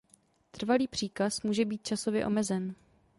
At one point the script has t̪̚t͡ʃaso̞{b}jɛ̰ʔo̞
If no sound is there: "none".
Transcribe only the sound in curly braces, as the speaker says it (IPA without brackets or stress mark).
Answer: v